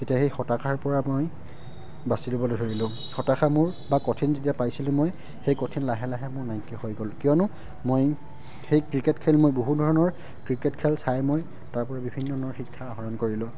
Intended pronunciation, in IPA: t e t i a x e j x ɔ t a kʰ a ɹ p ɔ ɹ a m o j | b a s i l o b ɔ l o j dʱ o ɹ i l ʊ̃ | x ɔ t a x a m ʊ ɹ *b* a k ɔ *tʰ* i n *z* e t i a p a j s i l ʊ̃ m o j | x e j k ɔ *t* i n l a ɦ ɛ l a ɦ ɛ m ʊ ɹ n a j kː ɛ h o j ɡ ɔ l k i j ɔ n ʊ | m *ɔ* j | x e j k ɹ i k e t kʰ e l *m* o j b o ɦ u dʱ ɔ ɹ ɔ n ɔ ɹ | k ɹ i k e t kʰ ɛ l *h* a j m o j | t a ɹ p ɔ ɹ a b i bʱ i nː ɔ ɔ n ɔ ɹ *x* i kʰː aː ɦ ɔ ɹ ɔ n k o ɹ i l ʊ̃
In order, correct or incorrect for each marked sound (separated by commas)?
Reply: correct, correct, correct, incorrect, incorrect, correct, incorrect, correct